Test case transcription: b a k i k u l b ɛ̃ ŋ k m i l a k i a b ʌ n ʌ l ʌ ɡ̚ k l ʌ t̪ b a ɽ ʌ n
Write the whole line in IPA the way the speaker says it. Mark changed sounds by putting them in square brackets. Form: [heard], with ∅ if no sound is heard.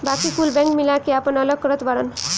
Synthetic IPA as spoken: b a k i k u l b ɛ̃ ŋ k m i l a k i a [p] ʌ n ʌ l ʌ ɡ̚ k [ɾ] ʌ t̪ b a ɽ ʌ n